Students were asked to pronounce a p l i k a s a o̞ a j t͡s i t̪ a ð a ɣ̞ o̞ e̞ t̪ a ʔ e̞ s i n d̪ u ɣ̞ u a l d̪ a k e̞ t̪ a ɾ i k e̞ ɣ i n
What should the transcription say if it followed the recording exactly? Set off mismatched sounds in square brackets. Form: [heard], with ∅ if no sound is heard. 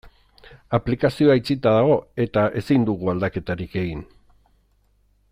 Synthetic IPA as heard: a p l i k a s [i] o̞ a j t͡s i t̪ a ð a ɣ̞ o̞ e̞ t̪ a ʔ e̞ s i n d̪ u ɣ̞ u a l d̪ a k e̞ t̪ a ɾ i k e̞ ɣ i n

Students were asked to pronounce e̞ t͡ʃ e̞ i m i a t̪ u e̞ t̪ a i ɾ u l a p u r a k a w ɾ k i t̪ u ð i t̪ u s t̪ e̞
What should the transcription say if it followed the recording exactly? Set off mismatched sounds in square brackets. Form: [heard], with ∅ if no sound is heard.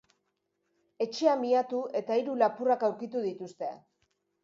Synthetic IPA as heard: e̞ t͡ʃ e̞ [a] m i a t̪ u e̞ t̪ a i ɾ u l a p u r a k a w ɾ k i t̪ u ð i t̪ u s t̪ e̞

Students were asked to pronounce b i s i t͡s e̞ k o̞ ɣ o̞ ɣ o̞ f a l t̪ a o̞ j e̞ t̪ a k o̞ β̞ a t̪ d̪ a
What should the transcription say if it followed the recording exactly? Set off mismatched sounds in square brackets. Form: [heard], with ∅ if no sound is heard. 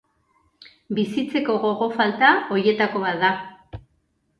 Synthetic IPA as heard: b i s i t͡s e̞ k o̞ ɣ o̞ ɣ o̞ f a l t̪ a o̞ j e̞ t̪ a k o̞ β̞ a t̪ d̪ a

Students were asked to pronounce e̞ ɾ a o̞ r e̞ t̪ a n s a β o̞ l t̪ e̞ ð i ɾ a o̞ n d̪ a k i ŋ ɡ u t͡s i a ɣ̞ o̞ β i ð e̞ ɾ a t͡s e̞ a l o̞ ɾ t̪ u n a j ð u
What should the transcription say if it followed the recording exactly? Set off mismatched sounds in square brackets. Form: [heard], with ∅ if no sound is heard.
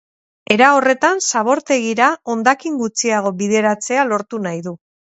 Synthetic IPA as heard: e̞ ɾ a o̞ r e̞ t̪ a n s a β o̞ [ɾ] t̪ e̞ [ɣ] i ɾ a o̞ n d̪ a k i ŋ ɡ u t͡s i a ɣ̞ o̞ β i ð e̞ ɾ a t͡s e̞ a l o̞ ɾ t̪ u n a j ð u

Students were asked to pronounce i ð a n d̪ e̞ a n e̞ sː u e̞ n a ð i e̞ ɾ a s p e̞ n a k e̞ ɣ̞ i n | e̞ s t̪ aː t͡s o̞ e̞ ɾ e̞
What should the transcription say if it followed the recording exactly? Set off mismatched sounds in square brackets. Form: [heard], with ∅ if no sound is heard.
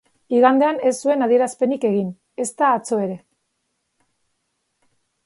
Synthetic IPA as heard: i [ɣ] a n d̪ e̞ a n e̞ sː u e̞ n a ð i e̞ ɾ a s p e̞ n [i] k e̞ ɣ̞ i n | e̞ s t̪ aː t͡s o̞ e̞ ɾ e̞

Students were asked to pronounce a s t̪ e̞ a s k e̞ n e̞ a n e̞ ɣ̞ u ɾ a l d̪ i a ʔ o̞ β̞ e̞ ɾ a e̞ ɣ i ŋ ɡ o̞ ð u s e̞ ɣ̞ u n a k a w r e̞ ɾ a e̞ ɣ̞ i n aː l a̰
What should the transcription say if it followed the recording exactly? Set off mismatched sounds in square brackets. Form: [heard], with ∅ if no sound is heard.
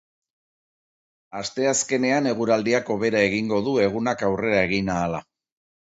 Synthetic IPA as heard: a s t̪ e̞ a s k e̞ n e̞ a n e̞ ɣ̞ u ɾ a l d̪ i a [k] o̞ β̞ e̞ ɾ a e̞ ɣ i ŋ ɡ o̞ ð u [∅] e̞ ɣ̞ u n a k a w r e̞ ɾ a e̞ ɣ̞ i n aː l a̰

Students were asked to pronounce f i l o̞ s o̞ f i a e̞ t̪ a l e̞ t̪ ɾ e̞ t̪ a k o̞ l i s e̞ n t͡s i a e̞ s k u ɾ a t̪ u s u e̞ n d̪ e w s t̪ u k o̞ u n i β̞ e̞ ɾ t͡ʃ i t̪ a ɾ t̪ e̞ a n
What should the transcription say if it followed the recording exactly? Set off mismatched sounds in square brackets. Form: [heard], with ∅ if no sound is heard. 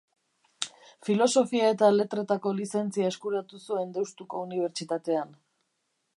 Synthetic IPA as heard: f i l o̞ s o̞ f i a e̞ t̪ a l e̞ t̪ ɾ e̞ t̪ a k o̞ l i s e̞ n t͡s i a e̞ s k u ɾ a t̪ u s u e̞ n d̪ e w s t̪ u k o̞ u n i β̞ e̞ ɾ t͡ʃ i t̪ a [∅] t̪ e̞ a n

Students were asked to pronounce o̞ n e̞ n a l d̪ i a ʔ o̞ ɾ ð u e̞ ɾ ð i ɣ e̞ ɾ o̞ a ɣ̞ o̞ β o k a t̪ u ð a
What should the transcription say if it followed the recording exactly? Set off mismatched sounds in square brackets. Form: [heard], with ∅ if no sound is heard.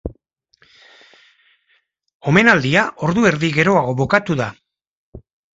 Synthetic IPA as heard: o̞ [m] e̞ n a l d̪ i a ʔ o̞ ɾ ð u e̞ ɾ ð i ɣ e̞ ɾ o̞ a ɣ̞ o̞ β o k a t̪ u ð a

